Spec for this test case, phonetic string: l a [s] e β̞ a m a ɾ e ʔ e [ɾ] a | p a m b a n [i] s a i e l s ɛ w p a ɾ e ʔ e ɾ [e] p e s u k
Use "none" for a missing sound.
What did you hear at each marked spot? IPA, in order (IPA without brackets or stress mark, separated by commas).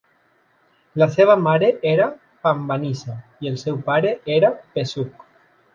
s, ɾ, i, a